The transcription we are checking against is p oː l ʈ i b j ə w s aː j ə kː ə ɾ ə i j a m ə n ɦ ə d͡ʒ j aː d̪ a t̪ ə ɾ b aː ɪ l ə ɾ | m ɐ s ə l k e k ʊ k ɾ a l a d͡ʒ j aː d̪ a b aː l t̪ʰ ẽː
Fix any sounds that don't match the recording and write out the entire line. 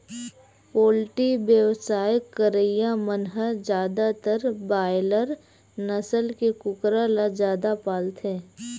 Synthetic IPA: p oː l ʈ i b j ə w s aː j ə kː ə ɾ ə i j a m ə n ɦ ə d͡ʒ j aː d̪ a t̪ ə ɾ b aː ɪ l ə ɾ | n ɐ s ə l k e k ʊ k ɾ a l a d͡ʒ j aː d̪ a p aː l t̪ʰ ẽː